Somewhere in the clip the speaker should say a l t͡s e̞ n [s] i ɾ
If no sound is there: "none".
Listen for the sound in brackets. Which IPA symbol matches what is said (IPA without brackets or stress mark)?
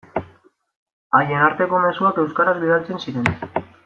s